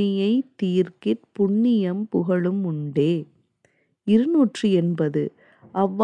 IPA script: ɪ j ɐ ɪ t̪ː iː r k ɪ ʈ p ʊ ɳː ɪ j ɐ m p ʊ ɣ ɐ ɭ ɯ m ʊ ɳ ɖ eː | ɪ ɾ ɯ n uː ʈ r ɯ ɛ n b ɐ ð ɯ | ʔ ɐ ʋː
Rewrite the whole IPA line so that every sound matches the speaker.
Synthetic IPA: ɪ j ɐ ɪ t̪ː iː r k ɪ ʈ p ʊ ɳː ɪ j ɐ m p ʊ ɣ ɐ ɭ ɯ m ʊ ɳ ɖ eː | ɪ ɾ ɯ n uː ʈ r ɯ ɛ n b ɐ ð ɯ | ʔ ɐ ʋː